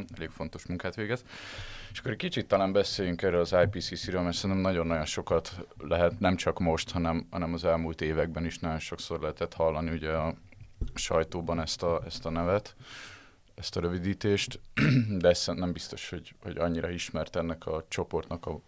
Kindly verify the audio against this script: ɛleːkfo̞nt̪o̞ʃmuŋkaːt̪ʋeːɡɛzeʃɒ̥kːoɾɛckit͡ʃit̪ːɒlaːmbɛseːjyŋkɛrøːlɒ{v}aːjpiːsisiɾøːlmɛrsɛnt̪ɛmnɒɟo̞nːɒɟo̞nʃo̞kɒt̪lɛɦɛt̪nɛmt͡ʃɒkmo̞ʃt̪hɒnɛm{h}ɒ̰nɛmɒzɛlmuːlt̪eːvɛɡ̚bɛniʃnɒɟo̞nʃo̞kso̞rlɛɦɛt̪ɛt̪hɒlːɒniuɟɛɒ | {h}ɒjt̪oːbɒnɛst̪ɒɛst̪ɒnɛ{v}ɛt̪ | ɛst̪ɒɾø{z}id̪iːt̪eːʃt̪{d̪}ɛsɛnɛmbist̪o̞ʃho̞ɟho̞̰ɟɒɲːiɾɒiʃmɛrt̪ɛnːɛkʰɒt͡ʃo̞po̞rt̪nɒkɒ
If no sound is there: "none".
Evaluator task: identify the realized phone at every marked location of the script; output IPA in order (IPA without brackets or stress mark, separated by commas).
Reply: z, h, ʃ, v, v, d̪